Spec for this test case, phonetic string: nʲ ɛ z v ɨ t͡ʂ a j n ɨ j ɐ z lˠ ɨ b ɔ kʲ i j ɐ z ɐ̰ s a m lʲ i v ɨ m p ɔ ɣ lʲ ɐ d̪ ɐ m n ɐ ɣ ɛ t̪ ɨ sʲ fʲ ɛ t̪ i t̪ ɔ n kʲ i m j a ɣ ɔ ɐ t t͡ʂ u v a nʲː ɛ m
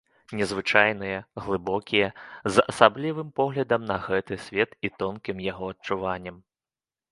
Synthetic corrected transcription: nʲ ɛ z v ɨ t͡ʂ a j n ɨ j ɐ ɣ lˠ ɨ b ɔ kʲ i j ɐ z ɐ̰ s a b lʲ i v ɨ m p ɔ ɣ lʲ ɐ d̪ ɐ m n ɐ ɣ ɛ t̪ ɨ sʲ vʲ ɛ t̪ i t̪ ɔ n kʲ i m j a ɣ ɔ ɐ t t͡ʂ u v a nʲː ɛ m